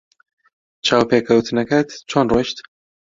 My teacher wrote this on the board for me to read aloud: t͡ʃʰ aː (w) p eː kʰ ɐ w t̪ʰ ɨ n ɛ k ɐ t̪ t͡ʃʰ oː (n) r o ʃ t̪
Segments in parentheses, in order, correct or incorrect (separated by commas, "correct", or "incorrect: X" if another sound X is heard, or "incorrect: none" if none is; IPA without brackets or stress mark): correct, correct